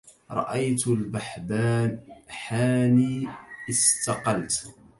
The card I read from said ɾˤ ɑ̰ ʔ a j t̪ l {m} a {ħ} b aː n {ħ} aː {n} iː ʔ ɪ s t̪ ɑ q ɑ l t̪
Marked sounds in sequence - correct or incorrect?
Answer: incorrect: b, correct, correct, correct

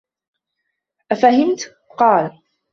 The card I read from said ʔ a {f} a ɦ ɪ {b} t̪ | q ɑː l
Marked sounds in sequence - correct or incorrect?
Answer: correct, incorrect: m

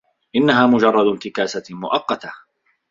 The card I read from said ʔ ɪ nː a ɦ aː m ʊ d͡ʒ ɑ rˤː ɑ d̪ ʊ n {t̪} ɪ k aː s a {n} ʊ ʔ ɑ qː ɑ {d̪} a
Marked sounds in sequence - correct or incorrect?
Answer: correct, incorrect: m, incorrect: t̪

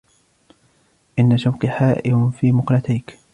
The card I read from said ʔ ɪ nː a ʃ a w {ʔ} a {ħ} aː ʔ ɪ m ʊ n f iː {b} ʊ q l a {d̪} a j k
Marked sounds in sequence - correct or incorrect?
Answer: incorrect: k, correct, incorrect: m, incorrect: t̪

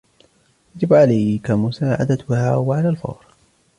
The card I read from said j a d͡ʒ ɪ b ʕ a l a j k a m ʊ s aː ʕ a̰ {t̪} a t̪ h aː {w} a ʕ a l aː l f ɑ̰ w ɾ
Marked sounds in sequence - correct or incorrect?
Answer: incorrect: d̪, correct

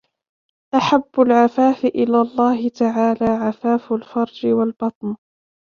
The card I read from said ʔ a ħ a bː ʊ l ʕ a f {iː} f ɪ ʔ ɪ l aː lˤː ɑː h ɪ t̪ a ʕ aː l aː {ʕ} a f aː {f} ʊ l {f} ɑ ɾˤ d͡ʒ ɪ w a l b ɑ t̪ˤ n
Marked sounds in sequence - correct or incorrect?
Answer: incorrect: aː, correct, correct, correct

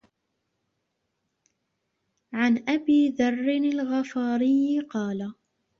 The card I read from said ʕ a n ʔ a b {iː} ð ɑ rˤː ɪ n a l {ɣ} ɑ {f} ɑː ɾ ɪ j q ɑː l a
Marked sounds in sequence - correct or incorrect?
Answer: correct, correct, correct

